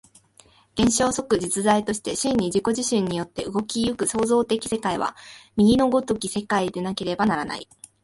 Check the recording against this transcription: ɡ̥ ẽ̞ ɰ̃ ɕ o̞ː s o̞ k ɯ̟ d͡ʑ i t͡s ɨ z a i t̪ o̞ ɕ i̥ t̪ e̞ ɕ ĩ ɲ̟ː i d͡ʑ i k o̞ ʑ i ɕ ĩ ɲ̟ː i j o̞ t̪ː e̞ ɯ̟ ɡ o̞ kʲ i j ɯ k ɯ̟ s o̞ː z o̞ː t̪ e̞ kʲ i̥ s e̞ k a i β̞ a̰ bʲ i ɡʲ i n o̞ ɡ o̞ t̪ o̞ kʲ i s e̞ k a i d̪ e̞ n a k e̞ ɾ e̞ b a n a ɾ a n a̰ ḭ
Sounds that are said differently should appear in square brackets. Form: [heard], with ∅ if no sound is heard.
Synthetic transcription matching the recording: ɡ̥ ẽ̞ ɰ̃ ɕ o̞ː s o̞ k ɯ̟ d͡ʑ i t͡s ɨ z a i t̪ o̞ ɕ i̥ t̪ e̞ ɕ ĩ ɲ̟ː i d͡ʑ i k o̞ ʑ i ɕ ĩ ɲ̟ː i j o̞ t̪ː e̞ ɯ̟ ɡ o̞ kʲ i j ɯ k ɯ̟ s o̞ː z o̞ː t̪ e̞ kʲ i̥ s e̞ k a i β̞ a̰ [mʲ] i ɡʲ i n o̞ ɡ o̞ t̪ o̞ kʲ i s e̞ k a i d̪ e̞ n a k e̞ ɾ e̞ b a n a ɾ a n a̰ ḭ